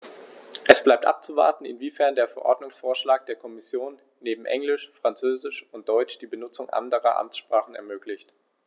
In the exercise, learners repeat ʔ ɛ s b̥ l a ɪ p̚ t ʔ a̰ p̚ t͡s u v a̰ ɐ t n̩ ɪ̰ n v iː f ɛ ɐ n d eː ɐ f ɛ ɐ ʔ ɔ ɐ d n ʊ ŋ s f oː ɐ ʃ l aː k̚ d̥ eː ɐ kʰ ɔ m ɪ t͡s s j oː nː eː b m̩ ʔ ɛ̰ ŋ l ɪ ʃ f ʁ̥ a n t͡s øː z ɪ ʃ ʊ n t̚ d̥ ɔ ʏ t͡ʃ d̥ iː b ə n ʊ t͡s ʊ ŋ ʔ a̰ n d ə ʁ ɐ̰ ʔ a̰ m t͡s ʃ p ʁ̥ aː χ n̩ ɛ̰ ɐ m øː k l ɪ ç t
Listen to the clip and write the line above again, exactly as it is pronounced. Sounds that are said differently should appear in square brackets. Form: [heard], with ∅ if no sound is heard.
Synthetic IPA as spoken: ʔ ɛ s b̥ l a ɪ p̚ t ʔ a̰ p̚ t͡s u v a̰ ɐ t n̩ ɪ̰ n v iː f ɛ ɐ n d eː ɐ f ɛ ɐ ʔ ɔ ɐ d n ʊ ŋ s f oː ɐ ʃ l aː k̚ d̥ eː ɐ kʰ ɔ m ɪ [∅] s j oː nː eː b m̩ ʔ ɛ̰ ŋ l ɪ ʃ f ʁ̥ a n t͡s øː z ɪ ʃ ʊ n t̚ d̥ ɔ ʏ t͡ʃ d̥ iː b ə n ʊ t͡s ʊ ŋ ʔ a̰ n d ə ʁ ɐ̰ ʔ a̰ m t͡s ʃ p ʁ̥ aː χ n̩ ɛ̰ ɐ m øː k l ɪ ç t